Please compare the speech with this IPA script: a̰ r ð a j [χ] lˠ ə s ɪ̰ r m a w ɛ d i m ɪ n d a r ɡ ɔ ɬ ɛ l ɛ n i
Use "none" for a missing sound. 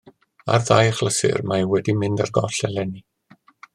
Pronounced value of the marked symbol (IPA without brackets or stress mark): χ